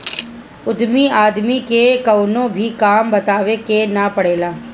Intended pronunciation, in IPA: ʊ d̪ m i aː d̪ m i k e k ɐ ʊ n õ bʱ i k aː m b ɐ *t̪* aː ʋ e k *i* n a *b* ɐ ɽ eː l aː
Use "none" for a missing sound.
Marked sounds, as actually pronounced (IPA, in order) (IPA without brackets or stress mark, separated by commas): t̪, e, p